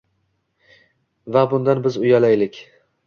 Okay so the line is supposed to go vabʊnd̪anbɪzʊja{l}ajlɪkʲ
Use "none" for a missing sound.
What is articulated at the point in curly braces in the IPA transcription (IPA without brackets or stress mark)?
l